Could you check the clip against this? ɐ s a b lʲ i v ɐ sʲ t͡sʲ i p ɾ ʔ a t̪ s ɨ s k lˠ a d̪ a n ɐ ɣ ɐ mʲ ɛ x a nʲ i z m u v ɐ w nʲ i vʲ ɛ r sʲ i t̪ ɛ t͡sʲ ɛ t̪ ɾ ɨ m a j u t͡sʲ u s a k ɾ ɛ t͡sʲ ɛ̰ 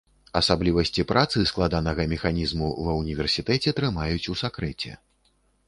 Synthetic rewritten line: ɐ s a b lʲ i v ɐ sʲ t͡sʲ i p ɾ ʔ a t̪ s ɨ s k lˠ a d̪ a n ɐ ɣ ɐ mʲ ɛ x a nʲ i z m u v ɐ w nʲ i vʲ ɛ r sʲ i t̪ ɛ t͡sʲ ɛ t̪ ɾ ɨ m a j u t͡sʲ u s a k ɾ ɛ t͡sʲ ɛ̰